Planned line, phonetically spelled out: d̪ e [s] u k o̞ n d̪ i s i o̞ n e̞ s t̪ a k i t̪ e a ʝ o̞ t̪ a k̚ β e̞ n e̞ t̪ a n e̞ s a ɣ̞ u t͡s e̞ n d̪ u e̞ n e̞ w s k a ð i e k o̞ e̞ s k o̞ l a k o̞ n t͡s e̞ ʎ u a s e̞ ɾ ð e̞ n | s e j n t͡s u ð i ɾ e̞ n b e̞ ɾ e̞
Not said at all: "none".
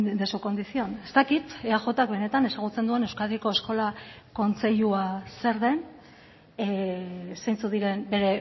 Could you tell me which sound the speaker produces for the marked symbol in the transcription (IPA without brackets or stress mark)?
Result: s